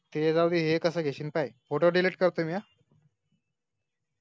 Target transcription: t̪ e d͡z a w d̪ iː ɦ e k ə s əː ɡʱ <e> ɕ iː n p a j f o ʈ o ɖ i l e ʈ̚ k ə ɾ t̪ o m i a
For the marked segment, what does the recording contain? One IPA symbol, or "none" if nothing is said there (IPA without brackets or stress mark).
e